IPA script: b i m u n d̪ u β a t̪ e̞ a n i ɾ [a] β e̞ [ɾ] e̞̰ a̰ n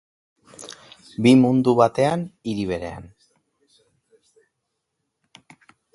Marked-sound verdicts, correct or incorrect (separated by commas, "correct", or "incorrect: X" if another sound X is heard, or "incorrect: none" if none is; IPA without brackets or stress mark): incorrect: i, correct